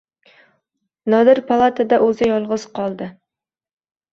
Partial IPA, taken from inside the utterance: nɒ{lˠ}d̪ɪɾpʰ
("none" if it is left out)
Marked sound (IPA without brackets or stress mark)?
none